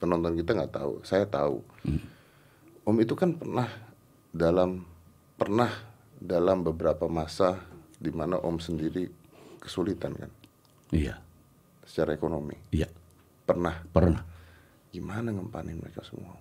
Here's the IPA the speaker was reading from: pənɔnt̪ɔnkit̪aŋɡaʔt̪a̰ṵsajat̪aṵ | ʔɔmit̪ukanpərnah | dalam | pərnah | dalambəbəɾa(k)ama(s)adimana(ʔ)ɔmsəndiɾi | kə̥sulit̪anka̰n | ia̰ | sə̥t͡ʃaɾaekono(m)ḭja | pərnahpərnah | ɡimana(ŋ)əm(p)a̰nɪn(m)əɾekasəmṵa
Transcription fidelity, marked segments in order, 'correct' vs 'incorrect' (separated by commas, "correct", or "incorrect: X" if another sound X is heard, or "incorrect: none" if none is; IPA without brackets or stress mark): incorrect: p, correct, correct, correct, correct, correct, correct